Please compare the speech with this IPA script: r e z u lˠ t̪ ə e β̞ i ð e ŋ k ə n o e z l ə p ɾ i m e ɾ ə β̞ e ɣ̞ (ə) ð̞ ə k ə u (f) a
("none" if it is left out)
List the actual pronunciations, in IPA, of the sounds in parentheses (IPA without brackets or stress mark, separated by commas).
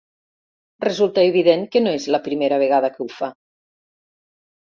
a, f